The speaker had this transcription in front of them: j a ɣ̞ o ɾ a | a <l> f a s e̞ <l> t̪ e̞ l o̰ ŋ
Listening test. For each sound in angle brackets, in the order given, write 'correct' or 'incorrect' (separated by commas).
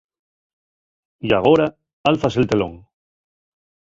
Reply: correct, correct